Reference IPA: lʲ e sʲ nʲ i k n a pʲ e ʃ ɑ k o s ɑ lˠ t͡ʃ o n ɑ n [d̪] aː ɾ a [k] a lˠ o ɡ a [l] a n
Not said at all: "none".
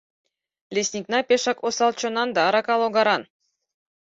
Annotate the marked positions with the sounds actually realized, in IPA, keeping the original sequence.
d̪, k, ɾ

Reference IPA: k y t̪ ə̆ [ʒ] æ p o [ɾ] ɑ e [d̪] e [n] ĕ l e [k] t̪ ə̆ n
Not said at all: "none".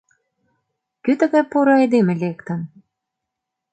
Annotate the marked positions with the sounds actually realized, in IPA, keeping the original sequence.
ɣ, ɾ, d̪, m, k

